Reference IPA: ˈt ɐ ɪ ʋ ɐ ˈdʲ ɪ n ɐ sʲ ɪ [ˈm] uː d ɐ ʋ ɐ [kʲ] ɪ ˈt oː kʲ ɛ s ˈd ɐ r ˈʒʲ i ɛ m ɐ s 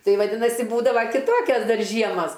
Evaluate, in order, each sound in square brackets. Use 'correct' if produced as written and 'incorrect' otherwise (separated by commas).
incorrect, correct